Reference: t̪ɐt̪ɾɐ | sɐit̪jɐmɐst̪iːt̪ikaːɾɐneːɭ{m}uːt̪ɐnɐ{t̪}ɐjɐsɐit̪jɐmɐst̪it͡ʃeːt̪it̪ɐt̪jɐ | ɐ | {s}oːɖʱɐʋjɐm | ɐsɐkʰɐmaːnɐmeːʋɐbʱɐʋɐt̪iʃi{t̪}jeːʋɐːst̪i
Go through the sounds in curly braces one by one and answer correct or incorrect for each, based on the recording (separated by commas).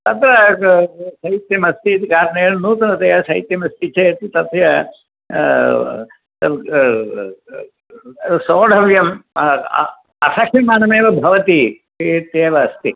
incorrect, correct, correct, correct